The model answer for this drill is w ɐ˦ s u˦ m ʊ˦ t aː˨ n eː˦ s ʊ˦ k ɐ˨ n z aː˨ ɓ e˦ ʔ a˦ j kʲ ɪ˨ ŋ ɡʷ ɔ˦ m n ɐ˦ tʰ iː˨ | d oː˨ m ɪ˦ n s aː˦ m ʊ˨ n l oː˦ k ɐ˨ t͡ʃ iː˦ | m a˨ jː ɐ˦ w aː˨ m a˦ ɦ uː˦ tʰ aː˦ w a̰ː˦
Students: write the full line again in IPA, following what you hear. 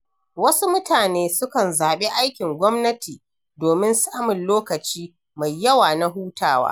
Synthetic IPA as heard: w ɐ˦ s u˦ m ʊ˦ t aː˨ n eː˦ s ʊ˦ k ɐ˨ n z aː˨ ɓ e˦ ʔ a˦ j kʲ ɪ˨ ŋ ɡʷ ɔ˦ m n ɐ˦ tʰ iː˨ | d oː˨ m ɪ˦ n s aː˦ m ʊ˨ n l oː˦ k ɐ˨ t͡ʃ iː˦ | m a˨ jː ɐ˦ w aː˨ n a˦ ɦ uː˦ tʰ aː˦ w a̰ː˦